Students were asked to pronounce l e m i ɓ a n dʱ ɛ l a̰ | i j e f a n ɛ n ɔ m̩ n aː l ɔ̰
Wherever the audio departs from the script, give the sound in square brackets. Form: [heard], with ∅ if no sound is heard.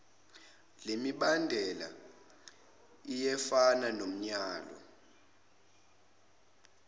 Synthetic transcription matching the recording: l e m i ɓ a n dʱ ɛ l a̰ | i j [ɛ] f a n [a] n [o] m̩ [ɲ] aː l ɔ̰